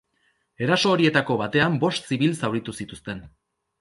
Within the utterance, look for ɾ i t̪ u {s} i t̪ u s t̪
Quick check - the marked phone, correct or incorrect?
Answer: correct